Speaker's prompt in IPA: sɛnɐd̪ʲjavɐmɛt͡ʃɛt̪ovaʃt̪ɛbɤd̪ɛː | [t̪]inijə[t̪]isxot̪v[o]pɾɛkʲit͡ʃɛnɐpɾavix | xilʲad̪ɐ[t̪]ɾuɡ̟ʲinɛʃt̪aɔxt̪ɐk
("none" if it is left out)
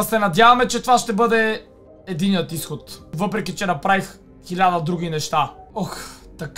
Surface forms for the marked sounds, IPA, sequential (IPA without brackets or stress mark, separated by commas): d̪, t̪, ɤ, d̪